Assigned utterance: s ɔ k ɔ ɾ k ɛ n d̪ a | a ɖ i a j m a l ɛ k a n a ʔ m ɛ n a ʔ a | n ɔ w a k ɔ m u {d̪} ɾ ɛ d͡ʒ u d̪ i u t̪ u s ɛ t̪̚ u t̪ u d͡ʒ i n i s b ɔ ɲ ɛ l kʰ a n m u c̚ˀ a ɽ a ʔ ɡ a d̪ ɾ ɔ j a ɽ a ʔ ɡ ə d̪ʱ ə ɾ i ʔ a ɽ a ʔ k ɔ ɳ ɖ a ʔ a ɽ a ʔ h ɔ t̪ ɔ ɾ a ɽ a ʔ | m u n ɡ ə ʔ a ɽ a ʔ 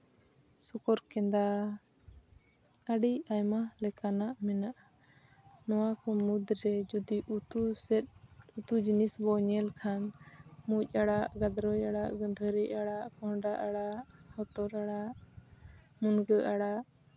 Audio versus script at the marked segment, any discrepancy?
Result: no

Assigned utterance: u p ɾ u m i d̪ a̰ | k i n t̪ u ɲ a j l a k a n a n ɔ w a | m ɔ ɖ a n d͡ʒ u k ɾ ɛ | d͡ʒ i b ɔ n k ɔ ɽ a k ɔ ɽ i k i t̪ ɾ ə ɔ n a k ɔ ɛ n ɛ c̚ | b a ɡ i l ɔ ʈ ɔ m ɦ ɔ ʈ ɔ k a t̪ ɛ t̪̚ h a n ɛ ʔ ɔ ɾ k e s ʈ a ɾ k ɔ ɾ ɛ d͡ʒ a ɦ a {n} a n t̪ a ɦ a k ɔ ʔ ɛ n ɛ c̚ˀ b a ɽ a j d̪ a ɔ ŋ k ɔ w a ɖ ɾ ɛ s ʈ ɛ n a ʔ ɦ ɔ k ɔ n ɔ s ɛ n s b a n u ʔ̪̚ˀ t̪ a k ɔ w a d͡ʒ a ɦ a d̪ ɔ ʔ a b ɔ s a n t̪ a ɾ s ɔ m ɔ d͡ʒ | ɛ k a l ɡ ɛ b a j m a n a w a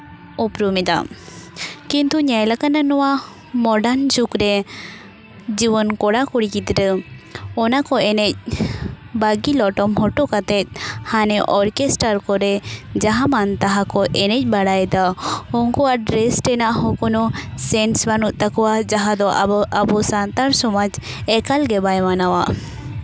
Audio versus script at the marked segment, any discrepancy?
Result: yes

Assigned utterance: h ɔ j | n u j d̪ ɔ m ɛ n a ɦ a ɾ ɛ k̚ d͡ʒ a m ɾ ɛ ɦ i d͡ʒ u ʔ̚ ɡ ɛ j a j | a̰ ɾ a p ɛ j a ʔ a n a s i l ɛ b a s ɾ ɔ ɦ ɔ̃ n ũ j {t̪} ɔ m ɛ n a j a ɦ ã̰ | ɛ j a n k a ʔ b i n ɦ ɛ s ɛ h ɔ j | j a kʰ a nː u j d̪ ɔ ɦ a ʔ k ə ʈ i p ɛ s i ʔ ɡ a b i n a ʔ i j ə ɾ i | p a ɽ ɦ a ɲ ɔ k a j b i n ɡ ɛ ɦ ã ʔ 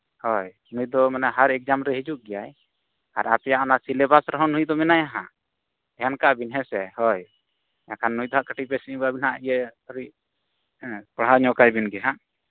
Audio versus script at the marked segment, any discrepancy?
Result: yes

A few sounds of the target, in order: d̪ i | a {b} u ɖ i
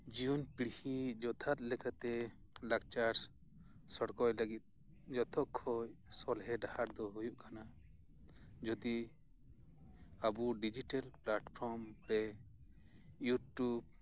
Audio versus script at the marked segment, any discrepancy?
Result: no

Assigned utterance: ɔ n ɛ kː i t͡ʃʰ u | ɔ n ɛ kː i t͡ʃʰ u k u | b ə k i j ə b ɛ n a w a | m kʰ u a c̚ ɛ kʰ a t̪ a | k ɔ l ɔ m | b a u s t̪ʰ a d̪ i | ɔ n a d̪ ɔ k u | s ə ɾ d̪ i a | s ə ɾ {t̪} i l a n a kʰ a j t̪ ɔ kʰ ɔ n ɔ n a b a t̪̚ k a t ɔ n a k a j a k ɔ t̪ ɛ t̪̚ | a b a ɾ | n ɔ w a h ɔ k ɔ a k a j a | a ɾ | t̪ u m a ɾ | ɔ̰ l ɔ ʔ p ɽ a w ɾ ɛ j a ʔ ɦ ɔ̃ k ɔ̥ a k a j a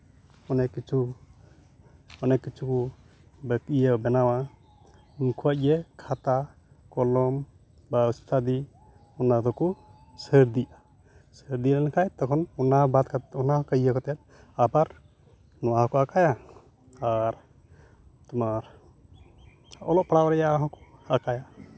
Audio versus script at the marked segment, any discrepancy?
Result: yes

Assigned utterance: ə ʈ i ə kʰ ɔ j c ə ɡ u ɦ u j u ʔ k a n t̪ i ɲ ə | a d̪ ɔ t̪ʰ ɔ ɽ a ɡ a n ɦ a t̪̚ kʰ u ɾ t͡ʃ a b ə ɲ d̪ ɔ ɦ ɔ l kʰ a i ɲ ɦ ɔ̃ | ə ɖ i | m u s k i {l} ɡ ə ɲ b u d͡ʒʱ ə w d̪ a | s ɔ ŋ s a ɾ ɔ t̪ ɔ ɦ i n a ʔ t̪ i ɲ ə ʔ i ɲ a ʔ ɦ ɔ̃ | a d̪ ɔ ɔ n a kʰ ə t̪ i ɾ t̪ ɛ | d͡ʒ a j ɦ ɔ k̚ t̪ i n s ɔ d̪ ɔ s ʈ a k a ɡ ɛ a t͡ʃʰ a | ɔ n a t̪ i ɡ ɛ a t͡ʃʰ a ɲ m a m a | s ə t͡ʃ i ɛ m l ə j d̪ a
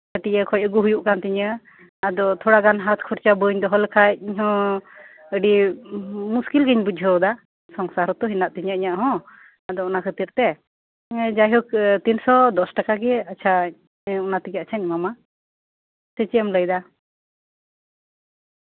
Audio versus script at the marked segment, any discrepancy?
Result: no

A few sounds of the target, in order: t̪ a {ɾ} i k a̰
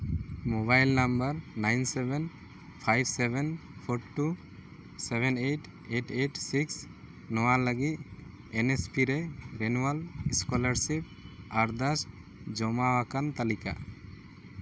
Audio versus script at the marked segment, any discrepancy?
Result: yes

